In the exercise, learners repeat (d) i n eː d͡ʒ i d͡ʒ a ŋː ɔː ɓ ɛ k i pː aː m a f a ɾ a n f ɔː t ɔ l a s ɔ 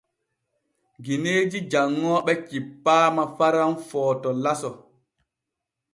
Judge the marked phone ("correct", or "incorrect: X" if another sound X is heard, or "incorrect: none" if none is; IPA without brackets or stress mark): incorrect: ɡ